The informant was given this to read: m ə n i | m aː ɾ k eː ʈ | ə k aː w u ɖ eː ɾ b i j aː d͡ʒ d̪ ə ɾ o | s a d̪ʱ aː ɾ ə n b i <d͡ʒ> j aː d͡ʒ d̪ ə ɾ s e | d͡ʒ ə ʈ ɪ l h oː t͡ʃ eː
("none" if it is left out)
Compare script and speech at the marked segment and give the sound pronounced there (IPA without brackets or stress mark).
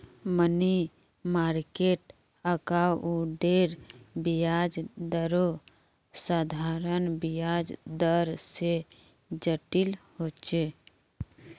none